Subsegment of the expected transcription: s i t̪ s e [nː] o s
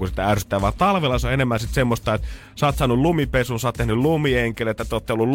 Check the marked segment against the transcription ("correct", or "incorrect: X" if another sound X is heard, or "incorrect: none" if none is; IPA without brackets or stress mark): incorrect: mː